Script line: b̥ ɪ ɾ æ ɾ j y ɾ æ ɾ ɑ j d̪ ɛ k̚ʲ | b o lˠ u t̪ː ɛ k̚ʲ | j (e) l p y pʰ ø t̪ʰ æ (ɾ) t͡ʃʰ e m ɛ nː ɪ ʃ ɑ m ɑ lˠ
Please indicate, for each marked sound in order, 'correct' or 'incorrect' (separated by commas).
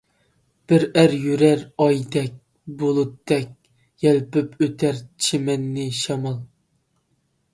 incorrect, correct